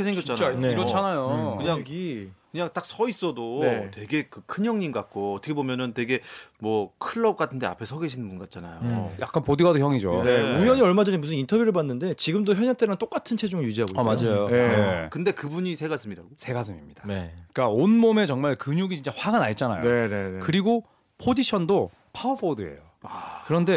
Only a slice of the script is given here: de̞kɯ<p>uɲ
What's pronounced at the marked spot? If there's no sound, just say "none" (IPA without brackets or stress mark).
b